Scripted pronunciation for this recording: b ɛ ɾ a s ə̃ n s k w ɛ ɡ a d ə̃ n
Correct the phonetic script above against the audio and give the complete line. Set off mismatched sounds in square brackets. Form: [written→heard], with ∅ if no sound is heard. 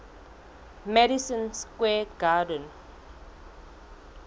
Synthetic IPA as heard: [b→m] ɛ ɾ [a→i] s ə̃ n s k w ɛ ɡ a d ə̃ n